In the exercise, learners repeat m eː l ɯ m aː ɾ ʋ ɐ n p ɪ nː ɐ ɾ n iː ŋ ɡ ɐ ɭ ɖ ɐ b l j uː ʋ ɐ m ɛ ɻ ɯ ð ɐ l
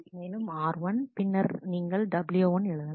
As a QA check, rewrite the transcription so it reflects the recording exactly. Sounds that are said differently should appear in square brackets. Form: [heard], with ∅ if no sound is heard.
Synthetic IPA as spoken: m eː l ɯ m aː ɾ ʋ ɐ n p ɪ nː ɐ ɾ n iː ŋ ɡ ɐ ɭ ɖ ɐ b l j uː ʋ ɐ [n] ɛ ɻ ɯ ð ɐ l